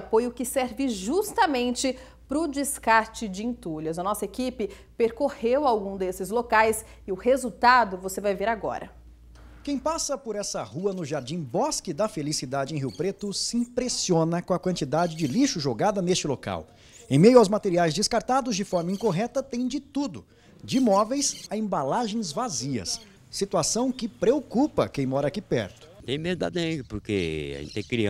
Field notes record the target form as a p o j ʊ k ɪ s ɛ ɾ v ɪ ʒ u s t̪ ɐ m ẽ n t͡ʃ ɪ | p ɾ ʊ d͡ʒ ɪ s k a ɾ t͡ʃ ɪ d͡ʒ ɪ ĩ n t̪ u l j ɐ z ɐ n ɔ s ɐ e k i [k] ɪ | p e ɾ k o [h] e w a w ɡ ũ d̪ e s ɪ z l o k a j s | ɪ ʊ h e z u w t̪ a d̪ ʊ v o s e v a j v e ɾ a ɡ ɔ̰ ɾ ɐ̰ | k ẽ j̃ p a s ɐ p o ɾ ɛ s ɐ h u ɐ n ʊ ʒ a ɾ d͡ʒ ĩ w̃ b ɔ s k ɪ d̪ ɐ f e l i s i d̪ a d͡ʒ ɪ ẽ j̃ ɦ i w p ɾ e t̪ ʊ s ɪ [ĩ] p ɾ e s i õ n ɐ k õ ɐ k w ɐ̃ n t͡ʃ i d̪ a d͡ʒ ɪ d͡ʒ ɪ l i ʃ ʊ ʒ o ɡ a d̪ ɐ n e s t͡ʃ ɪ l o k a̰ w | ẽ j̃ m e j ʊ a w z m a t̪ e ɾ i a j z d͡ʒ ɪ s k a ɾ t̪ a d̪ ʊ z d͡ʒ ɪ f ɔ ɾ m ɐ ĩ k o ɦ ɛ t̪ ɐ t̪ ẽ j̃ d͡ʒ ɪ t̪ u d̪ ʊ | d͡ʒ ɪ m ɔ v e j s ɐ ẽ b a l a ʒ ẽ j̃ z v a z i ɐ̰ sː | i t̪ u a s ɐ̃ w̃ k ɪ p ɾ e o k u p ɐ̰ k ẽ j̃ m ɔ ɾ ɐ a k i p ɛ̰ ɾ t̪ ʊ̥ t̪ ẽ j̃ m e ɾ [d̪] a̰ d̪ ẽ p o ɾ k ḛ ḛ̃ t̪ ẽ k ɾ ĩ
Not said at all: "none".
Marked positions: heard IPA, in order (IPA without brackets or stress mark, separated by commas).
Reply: p, h, ĩ, d̪